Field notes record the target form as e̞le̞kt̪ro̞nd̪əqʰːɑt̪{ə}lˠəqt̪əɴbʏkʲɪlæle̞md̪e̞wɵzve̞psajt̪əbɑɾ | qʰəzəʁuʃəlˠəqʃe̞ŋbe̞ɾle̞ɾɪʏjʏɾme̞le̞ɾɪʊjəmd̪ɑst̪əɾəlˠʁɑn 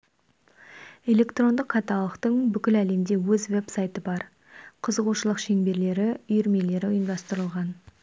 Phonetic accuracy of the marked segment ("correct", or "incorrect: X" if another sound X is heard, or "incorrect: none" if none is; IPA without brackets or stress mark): incorrect: ɑ